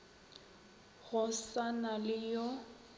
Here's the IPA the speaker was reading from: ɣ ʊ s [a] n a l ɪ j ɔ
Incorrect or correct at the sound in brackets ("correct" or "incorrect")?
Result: correct